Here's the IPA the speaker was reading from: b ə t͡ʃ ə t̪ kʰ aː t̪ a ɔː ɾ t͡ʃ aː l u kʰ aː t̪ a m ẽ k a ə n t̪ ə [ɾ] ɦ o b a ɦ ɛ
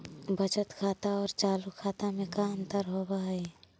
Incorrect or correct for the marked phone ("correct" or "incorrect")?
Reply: correct